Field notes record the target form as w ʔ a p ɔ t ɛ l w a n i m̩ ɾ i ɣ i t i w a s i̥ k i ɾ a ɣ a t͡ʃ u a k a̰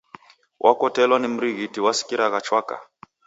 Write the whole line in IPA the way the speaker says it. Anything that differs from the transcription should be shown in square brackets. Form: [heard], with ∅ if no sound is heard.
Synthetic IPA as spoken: w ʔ a [k] ɔ t ɛ l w a n i m̩ ɾ i ɣ i t i w a s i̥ k i ɾ a ɣ a t͡ʃ [w] a k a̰

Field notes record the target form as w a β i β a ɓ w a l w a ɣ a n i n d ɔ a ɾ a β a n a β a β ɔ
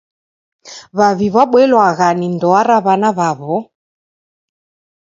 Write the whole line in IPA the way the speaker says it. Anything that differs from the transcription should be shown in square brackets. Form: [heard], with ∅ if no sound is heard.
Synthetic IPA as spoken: [β] a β i β a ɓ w [ɛ] l w a ɣ a n i n d ɔ a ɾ a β a n a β a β ɔ

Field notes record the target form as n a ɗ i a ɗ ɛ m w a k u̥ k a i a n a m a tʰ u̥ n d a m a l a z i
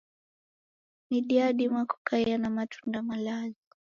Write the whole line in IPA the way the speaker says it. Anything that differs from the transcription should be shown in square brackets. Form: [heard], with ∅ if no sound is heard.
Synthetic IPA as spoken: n [i] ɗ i a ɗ [i] m w a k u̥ k a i a n a m a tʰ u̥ n d a m a l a z i

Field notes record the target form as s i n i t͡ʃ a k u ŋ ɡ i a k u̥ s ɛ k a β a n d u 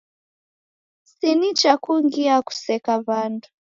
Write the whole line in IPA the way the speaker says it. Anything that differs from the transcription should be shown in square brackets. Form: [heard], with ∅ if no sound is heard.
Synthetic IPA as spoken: s i n i t͡ʃ a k u ŋ ɡ i a k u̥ s ɛ k a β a n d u

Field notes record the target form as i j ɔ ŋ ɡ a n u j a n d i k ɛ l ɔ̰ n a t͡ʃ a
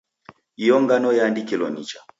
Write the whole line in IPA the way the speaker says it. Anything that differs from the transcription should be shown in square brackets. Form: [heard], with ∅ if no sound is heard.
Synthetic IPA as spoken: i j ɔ ŋ ɡ a n [ɔ] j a n d i k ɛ l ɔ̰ n [i] t͡ʃ a

